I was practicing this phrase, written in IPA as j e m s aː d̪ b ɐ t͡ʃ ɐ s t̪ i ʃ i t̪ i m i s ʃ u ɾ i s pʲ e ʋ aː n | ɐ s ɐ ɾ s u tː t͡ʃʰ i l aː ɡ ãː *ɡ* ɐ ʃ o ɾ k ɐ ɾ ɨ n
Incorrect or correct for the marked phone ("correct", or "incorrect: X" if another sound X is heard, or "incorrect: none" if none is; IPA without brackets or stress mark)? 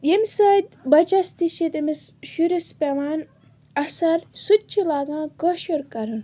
incorrect: k